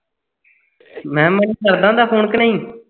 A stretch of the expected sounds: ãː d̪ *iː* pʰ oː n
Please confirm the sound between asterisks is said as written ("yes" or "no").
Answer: no